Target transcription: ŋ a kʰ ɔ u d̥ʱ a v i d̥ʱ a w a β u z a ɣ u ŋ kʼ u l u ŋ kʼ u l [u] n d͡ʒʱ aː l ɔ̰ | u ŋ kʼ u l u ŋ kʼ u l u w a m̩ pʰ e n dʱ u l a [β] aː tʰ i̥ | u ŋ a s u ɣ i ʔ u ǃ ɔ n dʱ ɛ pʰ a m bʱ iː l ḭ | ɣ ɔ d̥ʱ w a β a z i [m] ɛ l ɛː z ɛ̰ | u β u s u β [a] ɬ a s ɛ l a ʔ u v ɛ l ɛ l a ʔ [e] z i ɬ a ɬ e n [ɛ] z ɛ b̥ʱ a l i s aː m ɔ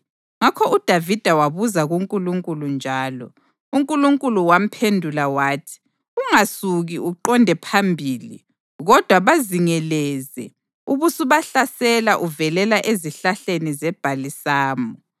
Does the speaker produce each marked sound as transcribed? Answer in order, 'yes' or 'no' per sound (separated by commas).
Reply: yes, no, no, yes, yes, no